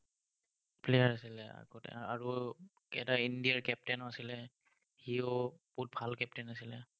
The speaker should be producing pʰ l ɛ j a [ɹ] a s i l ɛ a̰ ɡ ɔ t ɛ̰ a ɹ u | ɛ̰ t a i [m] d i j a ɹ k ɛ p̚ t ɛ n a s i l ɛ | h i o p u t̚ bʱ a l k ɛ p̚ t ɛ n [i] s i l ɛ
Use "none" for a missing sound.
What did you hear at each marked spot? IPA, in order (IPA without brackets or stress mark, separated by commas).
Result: ɹ, n, a